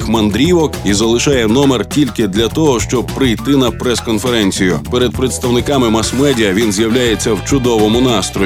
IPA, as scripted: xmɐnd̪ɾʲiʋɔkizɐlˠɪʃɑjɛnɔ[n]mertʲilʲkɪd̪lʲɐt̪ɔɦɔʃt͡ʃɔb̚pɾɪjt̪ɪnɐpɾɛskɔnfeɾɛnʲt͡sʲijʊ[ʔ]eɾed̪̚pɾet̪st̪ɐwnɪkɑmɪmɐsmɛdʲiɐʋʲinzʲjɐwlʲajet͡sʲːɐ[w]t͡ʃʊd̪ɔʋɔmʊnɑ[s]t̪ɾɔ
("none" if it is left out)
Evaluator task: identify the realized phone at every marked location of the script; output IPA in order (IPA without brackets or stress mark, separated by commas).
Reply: none, p, w, s